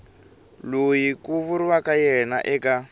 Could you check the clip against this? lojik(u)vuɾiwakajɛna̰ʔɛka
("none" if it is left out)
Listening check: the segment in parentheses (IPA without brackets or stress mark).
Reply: u